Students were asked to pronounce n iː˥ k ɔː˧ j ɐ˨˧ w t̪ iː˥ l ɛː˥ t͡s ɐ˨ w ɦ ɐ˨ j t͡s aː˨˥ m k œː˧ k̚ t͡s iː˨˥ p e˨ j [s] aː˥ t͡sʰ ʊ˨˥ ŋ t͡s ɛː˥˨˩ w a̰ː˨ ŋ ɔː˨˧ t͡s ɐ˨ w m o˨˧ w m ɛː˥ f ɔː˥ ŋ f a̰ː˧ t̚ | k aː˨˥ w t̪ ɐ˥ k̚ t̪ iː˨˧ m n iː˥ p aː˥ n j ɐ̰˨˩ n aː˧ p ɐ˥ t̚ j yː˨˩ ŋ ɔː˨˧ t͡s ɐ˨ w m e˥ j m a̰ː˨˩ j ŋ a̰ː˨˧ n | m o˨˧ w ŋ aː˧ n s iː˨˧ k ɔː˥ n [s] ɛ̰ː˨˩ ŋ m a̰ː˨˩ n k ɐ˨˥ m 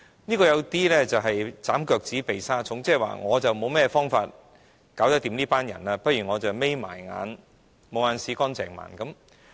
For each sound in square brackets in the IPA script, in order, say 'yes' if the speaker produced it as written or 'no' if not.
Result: yes, no

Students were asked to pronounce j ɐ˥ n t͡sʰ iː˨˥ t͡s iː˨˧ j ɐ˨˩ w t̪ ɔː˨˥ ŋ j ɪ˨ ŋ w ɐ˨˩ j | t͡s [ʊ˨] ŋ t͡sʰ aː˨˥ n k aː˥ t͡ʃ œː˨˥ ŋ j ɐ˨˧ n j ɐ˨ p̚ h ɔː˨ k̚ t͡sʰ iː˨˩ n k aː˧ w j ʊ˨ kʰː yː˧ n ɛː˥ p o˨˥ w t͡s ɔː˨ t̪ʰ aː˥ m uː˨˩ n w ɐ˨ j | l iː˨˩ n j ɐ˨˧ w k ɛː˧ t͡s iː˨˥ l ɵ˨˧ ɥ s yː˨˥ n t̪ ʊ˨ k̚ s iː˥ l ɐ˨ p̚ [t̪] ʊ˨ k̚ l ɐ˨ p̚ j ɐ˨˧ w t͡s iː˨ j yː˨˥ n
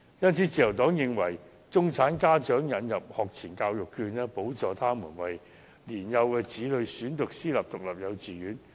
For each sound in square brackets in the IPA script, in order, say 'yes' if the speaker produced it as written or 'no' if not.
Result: no, yes

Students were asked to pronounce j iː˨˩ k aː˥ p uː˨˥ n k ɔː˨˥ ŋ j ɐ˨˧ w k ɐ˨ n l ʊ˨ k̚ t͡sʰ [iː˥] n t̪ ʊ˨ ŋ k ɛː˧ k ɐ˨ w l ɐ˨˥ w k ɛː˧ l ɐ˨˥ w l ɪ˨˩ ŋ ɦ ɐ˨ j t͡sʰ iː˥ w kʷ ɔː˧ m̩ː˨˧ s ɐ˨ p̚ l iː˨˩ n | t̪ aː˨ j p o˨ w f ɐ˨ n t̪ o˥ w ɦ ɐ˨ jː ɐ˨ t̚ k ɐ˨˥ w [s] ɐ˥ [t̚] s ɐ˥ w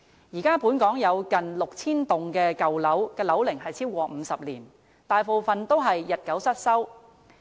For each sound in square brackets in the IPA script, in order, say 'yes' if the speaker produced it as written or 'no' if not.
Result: yes, yes, yes

